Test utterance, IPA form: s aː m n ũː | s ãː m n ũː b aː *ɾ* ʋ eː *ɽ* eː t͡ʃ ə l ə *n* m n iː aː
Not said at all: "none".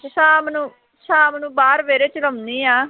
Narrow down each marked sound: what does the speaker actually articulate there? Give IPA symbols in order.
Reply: ɾ, ɾ, none

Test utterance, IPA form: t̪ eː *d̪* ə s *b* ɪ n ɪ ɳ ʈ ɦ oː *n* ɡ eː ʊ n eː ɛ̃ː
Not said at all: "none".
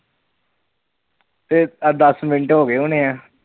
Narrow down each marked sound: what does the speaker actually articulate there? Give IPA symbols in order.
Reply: d̪, m, none

